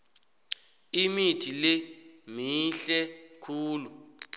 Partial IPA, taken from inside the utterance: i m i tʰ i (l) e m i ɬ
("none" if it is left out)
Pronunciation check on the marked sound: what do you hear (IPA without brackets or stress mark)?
l